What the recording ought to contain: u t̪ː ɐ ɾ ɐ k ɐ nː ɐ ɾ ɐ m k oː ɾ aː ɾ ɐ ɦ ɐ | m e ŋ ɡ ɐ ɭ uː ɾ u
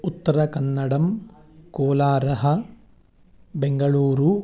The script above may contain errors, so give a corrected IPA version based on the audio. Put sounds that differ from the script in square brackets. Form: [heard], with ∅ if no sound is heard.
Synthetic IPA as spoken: u t̪ː ɐ ɾ ɐ k ɐ nː ɐ [ɽ] ɐ m k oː [l] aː ɾ ɐ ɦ ɐ | [b] e ŋ ɡ ɐ ɭ uː ɾ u